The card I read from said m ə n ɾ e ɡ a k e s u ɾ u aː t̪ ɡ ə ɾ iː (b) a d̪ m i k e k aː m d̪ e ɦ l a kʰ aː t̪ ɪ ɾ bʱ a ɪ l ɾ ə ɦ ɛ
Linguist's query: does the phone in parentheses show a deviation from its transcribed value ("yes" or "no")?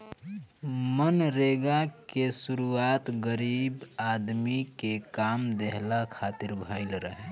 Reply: no